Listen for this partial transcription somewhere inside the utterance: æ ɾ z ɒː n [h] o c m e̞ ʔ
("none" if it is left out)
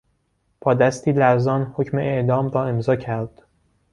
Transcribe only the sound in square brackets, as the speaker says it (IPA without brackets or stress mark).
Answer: h